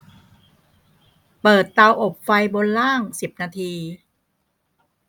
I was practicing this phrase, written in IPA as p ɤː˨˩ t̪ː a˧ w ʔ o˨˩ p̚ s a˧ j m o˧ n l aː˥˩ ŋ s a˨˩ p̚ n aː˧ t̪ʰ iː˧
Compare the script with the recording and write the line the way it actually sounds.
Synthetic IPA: p ɤː˨˩ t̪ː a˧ w ʔ o˨˩ p̚ f a˧ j b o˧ n l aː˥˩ ŋ s i˨˩ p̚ n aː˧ t̪ʰ iː˧